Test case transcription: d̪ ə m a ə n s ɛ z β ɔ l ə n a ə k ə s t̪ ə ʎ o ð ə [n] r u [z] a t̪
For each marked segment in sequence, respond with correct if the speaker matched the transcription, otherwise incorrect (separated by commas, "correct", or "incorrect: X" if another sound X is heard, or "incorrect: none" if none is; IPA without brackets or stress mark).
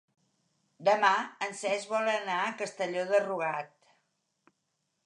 incorrect: none, incorrect: ɣ